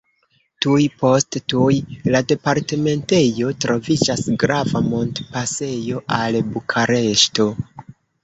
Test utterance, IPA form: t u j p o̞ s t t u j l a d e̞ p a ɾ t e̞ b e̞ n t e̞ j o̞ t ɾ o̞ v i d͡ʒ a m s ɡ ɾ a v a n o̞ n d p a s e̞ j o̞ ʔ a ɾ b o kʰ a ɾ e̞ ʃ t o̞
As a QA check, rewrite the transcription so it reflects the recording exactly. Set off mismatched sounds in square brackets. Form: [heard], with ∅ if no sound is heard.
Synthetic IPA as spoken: t u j p o̞ s t t u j l a d e̞ p a ɾ t e̞ [m] e̞ n t e̞ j o̞ t ɾ o̞ v i d͡ʒ a [∅] s ɡ ɾ a v a [m] o̞ n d p a s e̞ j o̞ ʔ a [l] b [u] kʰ a ɾ e̞ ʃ t o̞